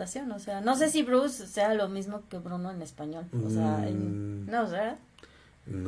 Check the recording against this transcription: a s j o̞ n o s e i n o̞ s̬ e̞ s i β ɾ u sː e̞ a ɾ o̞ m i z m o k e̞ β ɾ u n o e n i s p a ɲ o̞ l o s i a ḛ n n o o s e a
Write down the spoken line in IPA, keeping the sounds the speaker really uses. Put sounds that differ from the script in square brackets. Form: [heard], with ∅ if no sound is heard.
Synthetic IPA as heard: a s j o̞ n o s e [a] n o̞ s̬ e̞ s i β ɾ u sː e̞ a [l] o̞ m i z m o k e̞ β ɾ u n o e n [e] s p a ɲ o̞ l o s [e] a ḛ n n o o s e a

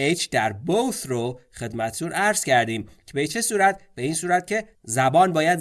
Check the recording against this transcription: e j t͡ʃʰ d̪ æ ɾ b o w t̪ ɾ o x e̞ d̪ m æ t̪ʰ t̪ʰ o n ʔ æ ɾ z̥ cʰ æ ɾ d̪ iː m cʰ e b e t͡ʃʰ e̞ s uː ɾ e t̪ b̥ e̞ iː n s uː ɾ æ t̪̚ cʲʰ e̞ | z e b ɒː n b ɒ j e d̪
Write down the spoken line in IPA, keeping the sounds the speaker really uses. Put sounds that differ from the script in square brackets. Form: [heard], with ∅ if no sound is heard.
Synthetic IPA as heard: e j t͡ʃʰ d̪ æ ɾ b o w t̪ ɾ o x e̞ d̪ m æ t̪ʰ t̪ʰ [u] n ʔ æ ɾ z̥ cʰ æ ɾ d̪ iː m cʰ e b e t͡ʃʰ e̞ s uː ɾ [æ] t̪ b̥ e̞ iː n s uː ɾ æ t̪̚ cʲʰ e̞ | z [æ] b ɒː n b [ɒː] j [æ] d̪

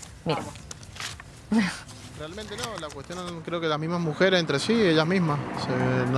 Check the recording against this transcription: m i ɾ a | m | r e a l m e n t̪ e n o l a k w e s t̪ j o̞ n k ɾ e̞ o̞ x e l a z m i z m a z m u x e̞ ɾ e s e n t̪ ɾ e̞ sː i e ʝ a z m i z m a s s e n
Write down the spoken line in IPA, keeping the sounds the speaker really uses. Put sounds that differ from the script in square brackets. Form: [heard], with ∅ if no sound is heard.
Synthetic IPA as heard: m i ɾ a | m | r e a l m e n t̪ e n o l a k w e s t̪ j o̞ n k ɾ e̞ o̞ [k] e l a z m i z m a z m u x e̞ ɾ e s e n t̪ ɾ e̞ [s] i e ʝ a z m i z m a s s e n

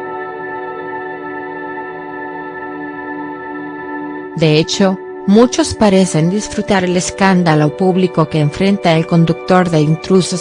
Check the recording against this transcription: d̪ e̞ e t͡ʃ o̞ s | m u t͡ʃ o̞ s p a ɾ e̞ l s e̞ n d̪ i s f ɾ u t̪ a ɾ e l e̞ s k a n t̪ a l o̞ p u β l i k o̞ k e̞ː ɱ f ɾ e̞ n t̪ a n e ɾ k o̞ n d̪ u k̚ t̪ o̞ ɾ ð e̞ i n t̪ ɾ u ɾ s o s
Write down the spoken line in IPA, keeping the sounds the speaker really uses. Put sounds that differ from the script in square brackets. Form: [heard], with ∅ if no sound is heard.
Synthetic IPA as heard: d̪ e̞ e t͡ʃ o̞ [∅] | m u t͡ʃ o̞ s p a ɾ e̞ [∅] s e̞ n d̪ i s f ɾ u t̪ a ɾ e l e̞ s k a n [d̪] a l o̞ p u β l i k o̞ k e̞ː ɱ f ɾ e̞ n t̪ a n e [l] k o̞ n d̪ u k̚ t̪ o̞ ɾ ð e̞ i n t̪ ɾ u [∅] s o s

